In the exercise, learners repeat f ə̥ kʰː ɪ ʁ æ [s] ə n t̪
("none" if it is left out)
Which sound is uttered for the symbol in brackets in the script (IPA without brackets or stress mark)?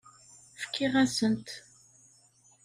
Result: s